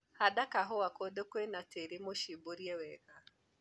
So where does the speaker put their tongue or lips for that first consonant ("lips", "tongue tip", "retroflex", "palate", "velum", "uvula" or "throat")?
throat